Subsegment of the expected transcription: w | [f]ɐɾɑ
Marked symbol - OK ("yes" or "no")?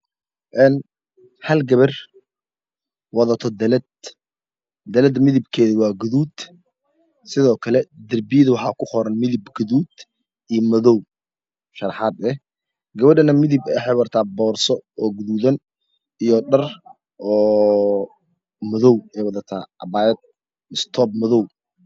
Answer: no